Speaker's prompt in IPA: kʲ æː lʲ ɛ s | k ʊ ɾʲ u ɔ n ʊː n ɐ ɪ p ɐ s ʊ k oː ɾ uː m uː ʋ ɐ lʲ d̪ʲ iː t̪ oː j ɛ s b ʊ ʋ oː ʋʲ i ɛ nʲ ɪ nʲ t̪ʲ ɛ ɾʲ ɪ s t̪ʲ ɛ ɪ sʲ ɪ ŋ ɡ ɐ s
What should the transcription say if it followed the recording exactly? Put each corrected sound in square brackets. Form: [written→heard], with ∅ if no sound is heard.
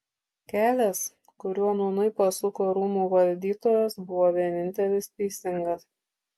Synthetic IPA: kʲ æː lʲ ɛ s | k ʊ ɾʲ u ɔ n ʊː n ɐ ɪ p ɐ s ʊ k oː ɾ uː m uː ʋ ɐ lʲ d̪ʲ iː t̪ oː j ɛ s b ʊ ʋ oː ʋʲ i ɛ nʲ ɪ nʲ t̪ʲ ɛ [ɾʲ→lʲ] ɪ s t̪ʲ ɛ ɪ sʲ ɪ ŋ ɡ ɐ s